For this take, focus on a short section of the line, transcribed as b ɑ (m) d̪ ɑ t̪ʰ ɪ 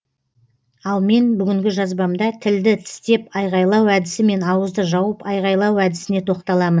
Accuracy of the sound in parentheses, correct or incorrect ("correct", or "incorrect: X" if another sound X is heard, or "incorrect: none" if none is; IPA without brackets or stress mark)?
correct